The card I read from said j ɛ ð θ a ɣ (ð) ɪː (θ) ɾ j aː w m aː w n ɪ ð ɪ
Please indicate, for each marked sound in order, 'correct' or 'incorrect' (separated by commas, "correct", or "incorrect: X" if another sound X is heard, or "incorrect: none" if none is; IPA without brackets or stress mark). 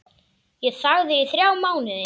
correct, correct